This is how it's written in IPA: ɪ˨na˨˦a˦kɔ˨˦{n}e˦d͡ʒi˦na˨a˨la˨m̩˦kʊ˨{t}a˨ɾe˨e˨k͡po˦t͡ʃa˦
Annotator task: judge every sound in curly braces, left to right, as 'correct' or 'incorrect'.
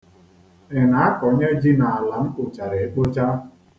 incorrect: ɲ, incorrect: t͡ʃ

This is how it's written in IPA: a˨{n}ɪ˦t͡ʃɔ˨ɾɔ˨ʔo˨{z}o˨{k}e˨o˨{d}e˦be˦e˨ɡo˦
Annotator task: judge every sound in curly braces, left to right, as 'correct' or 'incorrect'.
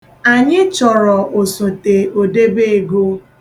incorrect: ɲ, incorrect: s, incorrect: t, correct

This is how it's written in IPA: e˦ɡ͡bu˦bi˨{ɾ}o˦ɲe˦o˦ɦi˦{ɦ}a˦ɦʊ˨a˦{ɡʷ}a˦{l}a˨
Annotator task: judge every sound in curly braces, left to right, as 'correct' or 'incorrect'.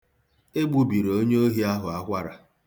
correct, incorrect: none, incorrect: kʷ, incorrect: ɾ

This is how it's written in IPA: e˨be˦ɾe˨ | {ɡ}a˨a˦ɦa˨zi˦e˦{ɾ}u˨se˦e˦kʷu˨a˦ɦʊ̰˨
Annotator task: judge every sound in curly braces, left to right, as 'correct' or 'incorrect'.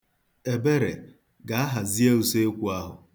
correct, incorrect: none

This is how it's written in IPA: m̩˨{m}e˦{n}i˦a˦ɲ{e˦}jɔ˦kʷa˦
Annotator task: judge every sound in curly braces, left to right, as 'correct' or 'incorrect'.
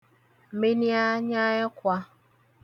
correct, correct, incorrect: a˦

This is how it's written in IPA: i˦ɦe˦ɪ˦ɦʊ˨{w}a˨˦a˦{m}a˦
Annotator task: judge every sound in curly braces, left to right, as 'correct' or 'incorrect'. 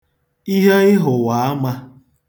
correct, correct

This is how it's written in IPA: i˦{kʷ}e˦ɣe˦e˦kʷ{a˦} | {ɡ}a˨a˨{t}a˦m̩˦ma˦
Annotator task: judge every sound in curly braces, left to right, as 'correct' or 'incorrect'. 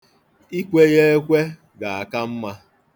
correct, incorrect: e˦, correct, incorrect: k

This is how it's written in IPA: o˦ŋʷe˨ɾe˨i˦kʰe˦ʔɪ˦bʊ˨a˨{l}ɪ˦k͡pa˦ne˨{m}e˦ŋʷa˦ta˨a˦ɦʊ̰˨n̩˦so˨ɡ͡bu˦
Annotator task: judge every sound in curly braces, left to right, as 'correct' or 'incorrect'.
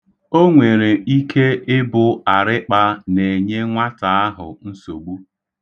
incorrect: ɾ, incorrect: ɲ

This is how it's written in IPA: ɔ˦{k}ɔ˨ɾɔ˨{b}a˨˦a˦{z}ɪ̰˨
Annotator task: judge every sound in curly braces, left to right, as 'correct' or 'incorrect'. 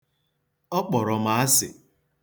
incorrect: k͡p, incorrect: m, incorrect: s

